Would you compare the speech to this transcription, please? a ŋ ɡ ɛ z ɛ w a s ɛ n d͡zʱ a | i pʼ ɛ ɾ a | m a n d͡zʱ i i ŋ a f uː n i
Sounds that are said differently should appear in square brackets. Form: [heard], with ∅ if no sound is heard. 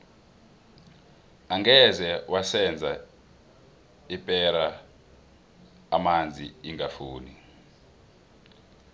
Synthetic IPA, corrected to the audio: a ŋ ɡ ɛ z ɛ w a s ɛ n d͡zʱ a | i pʼ ɛ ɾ a | m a n d͡zʱ i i ŋ a f uː n i